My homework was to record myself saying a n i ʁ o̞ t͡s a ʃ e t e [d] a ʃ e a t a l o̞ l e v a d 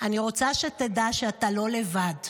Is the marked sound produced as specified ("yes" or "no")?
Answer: yes